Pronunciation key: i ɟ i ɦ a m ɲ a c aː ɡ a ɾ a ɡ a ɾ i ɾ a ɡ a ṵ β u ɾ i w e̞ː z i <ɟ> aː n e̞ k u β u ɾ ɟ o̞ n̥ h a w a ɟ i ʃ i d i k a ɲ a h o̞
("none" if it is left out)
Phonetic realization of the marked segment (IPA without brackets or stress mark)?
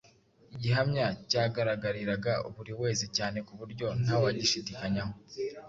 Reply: c